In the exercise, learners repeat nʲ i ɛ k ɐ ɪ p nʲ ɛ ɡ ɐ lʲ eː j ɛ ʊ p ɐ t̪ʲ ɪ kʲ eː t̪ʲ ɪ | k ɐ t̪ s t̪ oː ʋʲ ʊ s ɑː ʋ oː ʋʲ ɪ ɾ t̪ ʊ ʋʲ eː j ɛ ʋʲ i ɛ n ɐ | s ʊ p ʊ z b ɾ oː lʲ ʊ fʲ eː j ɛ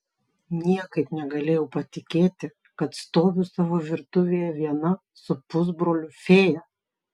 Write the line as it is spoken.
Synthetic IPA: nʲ i ɛ k ɐ ɪ p nʲ ɛ ɡ ɐ lʲ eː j ɛ ʊ p ɐ t̪ʲ ɪ kʲ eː t̪ʲ ɪ | k ɐ t̪ s t̪ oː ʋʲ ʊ s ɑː ʋ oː ʋʲ ɪ ɾ t̪ ʊ ʋʲ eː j ɛ ʋʲ i ɛ n ɐ | s ʊ p ʊ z b ɾ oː lʲ ʊ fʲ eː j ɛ